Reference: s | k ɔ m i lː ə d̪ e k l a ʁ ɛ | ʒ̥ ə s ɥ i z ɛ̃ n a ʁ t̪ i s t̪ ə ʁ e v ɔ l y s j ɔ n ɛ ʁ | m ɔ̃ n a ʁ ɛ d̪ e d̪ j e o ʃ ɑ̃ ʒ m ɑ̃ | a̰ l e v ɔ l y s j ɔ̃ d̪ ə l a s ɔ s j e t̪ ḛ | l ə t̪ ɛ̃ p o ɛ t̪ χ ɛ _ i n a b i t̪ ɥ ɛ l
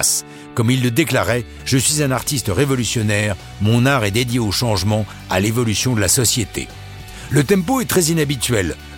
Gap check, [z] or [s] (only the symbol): z